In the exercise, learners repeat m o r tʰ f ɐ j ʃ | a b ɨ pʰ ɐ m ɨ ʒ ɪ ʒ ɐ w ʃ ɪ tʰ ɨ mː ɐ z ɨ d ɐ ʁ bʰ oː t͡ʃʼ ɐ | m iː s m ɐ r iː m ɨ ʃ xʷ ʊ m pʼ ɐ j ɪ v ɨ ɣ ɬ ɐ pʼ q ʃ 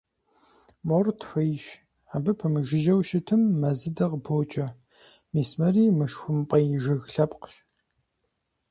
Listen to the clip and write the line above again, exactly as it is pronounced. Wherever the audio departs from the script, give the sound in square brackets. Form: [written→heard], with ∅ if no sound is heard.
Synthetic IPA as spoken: m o r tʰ f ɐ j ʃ | a b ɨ pʰ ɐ m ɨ ʒ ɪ ʒ ɐ w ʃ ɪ tʰ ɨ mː ɐ z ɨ d ɐ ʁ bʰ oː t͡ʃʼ ɐ | m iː s m ɐ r iː m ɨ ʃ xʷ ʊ m pʼ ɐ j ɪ [v→ʒ] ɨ ɣ ɬ ɐ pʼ q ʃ